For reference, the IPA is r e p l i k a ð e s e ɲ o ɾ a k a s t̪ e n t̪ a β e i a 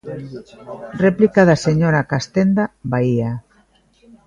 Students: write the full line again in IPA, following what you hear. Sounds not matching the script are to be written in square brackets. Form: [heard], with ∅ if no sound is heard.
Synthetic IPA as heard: r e p l i k a ð [a] s e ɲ o ɾ a k a s t̪ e n [d̪] a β [a] i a